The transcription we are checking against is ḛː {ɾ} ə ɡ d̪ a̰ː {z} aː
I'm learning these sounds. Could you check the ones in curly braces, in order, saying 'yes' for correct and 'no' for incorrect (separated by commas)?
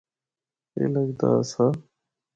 no, no